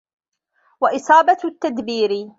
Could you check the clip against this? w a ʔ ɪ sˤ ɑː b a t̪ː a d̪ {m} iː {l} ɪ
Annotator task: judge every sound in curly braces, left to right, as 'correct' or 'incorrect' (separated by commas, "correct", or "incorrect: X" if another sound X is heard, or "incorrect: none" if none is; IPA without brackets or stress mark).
incorrect: b, incorrect: ɾ